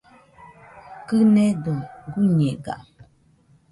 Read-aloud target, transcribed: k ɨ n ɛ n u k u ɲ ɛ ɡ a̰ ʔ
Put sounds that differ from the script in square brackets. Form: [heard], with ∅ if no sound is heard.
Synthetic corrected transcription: k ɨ n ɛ [d] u [ɡ] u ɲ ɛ ɡ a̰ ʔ